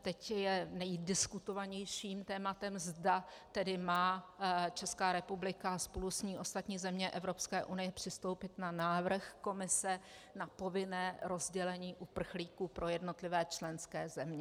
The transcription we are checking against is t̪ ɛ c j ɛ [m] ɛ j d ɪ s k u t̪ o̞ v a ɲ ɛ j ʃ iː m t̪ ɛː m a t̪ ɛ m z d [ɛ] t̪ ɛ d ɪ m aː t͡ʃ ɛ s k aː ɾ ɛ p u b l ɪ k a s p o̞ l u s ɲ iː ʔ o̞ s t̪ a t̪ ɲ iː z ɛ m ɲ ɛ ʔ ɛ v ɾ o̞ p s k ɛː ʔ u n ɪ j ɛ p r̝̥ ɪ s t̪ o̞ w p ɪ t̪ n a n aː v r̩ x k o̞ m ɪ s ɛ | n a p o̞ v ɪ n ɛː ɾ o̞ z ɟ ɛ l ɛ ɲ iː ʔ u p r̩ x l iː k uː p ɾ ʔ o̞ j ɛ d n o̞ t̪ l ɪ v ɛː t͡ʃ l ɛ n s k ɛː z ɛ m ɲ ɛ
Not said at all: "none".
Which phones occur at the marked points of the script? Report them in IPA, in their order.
n, a

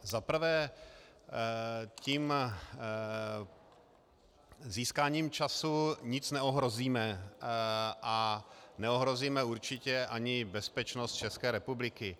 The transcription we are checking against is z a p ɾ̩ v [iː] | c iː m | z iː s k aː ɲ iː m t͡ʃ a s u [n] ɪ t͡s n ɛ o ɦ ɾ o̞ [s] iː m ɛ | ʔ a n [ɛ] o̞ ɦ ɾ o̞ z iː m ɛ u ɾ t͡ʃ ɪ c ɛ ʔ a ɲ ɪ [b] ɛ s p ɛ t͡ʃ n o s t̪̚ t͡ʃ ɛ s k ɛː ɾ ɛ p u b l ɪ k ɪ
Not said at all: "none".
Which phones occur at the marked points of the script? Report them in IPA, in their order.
ɛː, ɲ, z, ɛ, b

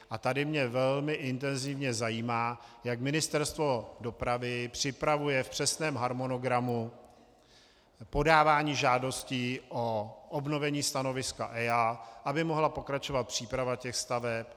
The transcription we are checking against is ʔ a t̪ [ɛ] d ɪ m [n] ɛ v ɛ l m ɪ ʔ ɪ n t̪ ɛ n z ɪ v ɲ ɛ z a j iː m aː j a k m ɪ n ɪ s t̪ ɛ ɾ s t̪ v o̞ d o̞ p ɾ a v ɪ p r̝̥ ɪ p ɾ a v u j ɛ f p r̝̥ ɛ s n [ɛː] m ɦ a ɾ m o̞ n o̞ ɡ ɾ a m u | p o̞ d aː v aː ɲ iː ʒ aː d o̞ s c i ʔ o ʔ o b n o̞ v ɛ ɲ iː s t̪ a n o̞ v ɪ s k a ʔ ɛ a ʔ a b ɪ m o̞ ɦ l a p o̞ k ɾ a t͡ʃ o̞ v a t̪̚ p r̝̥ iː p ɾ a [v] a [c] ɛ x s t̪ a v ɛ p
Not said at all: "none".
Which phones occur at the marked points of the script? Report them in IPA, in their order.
a, ɲ, ɛː, v, c

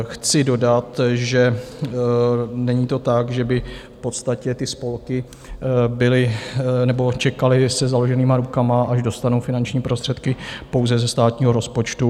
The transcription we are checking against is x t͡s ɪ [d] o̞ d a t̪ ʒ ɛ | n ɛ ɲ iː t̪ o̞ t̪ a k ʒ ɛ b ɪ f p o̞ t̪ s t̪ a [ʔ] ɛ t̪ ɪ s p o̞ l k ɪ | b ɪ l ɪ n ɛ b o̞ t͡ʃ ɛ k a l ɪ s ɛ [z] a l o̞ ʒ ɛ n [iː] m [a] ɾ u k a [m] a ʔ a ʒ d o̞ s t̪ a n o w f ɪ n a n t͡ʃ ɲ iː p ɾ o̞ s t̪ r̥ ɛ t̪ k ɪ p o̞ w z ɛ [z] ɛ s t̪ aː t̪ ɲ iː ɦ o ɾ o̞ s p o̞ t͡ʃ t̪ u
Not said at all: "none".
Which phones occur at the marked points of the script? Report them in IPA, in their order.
d, c, z, iː, a, m, z

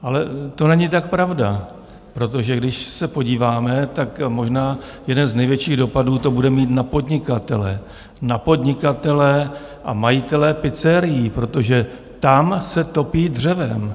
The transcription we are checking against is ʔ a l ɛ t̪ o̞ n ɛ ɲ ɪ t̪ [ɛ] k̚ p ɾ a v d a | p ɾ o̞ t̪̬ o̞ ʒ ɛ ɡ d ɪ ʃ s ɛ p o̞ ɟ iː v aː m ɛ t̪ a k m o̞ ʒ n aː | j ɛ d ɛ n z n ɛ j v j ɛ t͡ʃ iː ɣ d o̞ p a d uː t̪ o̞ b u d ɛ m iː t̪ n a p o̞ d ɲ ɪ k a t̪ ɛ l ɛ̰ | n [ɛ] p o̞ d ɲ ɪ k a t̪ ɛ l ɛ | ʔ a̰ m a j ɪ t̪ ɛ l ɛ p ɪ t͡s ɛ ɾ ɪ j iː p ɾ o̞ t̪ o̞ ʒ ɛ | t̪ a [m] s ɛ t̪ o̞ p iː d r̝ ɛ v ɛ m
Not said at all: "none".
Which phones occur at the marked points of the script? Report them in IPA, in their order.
a, a, m

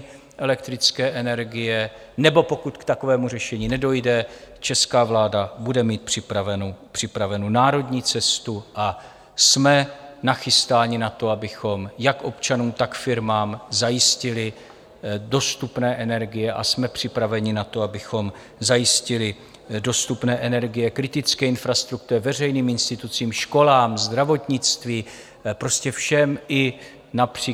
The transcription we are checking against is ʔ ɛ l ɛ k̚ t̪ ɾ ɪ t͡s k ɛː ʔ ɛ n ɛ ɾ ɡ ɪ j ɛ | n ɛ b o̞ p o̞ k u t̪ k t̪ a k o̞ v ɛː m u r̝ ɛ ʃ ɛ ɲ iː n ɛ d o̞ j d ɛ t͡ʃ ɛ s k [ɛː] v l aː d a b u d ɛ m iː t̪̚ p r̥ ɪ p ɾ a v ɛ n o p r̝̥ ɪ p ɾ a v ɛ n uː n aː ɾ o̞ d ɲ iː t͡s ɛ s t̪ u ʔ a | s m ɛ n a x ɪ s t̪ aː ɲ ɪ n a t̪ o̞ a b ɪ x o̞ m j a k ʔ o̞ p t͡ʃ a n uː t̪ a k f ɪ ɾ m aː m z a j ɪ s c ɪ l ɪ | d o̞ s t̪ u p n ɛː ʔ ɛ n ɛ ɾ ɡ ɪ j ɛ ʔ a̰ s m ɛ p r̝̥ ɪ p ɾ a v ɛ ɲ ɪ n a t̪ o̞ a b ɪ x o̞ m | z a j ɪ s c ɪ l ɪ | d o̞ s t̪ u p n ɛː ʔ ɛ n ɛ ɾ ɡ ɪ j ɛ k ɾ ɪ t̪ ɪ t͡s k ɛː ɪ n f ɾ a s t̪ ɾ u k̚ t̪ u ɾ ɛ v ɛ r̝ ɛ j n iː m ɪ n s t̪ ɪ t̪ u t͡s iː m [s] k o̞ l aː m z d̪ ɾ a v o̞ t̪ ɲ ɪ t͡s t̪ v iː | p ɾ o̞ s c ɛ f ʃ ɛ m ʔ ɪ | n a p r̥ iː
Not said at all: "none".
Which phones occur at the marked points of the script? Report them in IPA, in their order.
aː, ʃ

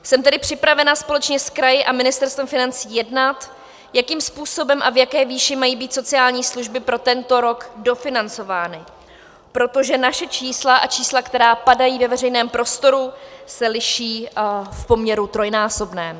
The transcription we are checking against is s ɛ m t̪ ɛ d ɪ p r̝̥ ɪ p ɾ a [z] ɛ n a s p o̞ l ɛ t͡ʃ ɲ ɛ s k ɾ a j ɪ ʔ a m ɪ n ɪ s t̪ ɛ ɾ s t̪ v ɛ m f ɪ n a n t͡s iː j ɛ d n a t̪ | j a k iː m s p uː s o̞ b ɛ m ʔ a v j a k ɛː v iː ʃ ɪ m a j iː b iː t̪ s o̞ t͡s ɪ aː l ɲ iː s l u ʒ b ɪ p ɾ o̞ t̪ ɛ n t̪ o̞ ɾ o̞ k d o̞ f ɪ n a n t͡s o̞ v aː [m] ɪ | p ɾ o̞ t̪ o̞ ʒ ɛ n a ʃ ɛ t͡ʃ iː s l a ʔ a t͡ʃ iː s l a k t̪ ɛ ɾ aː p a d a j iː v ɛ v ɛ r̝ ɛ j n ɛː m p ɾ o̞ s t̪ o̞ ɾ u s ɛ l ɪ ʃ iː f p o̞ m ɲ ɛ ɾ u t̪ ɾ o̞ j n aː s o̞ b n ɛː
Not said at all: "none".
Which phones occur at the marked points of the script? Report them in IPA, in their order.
v, n

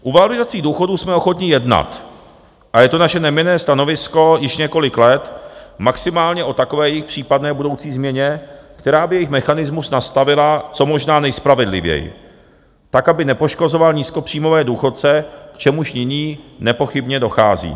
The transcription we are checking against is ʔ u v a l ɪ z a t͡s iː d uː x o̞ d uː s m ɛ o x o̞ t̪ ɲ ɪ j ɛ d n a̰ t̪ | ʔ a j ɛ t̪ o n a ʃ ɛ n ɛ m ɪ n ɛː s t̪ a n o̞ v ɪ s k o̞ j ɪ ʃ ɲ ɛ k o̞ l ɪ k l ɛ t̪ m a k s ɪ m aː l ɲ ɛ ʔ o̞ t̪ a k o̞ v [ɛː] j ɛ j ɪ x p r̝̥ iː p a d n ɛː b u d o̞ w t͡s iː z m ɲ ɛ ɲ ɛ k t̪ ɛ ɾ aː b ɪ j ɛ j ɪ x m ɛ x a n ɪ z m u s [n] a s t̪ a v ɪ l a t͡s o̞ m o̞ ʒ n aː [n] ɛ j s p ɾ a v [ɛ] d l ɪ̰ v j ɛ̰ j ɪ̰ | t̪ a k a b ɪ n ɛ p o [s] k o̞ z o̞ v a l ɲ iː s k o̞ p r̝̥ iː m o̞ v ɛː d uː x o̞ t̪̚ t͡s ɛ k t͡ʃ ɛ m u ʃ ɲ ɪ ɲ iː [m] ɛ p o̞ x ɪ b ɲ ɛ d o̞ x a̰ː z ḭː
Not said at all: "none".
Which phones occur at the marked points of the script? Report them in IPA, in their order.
ɛː, n, n, ɛ, ʃ, n

